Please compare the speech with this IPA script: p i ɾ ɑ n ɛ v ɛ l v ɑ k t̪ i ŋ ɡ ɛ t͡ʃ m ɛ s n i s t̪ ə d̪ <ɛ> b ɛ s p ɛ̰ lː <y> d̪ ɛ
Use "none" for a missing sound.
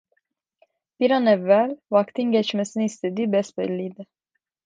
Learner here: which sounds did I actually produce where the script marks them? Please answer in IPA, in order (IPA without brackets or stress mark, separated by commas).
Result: i, i